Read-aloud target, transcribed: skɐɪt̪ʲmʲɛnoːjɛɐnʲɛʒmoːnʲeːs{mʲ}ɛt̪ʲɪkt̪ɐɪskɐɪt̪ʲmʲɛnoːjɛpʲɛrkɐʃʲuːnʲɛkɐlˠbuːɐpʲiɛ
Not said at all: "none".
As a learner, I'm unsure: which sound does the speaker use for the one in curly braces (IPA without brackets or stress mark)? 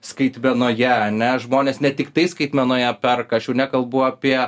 nʲ